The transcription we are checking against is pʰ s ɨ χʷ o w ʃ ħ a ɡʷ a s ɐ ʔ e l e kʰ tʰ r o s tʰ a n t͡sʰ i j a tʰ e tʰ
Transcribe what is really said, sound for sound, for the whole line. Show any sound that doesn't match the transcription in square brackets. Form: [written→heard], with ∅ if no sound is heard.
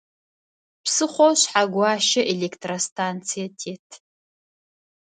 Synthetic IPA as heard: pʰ s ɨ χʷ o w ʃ ħ a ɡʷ a [s→ʃ] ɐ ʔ e l e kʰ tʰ r o s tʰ a n t͡sʰ i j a tʰ e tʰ

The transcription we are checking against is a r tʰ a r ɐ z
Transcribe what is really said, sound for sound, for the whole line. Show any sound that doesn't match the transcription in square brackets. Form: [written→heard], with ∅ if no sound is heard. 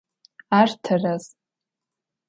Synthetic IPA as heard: a r tʰ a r [ɐ→a] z

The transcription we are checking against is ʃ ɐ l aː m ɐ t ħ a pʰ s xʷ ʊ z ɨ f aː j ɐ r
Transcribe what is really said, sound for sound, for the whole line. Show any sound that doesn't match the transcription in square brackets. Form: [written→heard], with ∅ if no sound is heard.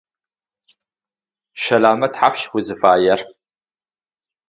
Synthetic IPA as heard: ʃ ɐ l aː m ɐ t ħ a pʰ [s→ʃ] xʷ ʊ z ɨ f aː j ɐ r

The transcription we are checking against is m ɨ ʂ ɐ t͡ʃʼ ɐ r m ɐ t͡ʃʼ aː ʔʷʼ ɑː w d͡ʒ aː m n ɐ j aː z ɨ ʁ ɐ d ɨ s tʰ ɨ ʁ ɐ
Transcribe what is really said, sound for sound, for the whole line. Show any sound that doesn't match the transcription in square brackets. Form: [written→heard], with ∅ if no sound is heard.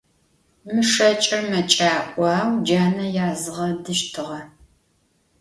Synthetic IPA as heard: m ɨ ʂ ɐ t͡ʃʼ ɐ r m ɐ t͡ʃʼ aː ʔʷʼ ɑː w d͡ʒ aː [m→∅] n ɐ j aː z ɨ ʁ ɐ d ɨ [s→ʃ] tʰ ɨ ʁ ɐ

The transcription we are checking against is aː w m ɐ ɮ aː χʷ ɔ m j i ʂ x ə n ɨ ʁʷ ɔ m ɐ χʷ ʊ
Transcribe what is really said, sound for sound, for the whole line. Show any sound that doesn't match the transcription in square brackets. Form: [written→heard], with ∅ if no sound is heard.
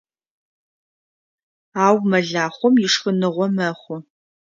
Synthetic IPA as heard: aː w m ɐ ɮ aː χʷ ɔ m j [i→ɪ] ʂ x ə n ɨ ʁʷ ɔ m ɐ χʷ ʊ

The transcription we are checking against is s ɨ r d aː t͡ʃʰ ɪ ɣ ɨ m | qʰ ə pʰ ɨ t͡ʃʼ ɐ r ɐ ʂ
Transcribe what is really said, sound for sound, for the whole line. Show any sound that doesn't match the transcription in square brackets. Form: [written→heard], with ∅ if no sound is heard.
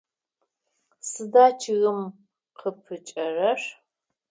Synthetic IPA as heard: s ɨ [r→∅] d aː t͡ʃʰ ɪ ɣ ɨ m | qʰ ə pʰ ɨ t͡ʃʼ ɐ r ɐ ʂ

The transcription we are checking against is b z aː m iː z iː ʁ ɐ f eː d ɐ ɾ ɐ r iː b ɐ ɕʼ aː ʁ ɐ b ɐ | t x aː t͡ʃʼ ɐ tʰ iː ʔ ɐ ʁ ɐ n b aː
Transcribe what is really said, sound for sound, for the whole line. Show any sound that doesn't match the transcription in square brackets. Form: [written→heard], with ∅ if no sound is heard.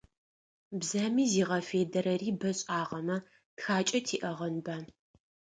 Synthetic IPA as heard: b z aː m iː z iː ʁ ɐ f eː d ɐ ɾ ɐ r iː b ɐ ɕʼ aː ʁ ɐ [b→m] ɐ | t x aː t͡ʃʼ ɐ tʰ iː ʔ ɐ ʁ ɐ n b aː

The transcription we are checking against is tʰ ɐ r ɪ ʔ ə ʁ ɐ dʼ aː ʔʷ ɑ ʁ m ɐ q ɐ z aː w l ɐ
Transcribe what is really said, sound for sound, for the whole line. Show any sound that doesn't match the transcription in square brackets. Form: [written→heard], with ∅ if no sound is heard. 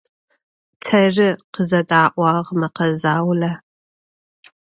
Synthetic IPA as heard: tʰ ɐ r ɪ [ʔ→q] ə [ʁ→z] ɐ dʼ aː ʔʷ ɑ ʁ m ɐ q ɐ z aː w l ɐ

